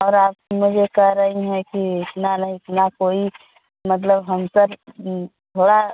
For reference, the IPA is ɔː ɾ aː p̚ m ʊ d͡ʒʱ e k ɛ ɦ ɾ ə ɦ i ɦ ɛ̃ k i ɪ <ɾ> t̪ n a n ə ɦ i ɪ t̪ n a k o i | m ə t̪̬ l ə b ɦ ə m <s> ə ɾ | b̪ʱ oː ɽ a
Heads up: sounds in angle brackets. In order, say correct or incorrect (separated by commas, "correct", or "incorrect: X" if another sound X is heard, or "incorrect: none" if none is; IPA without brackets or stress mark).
incorrect: none, correct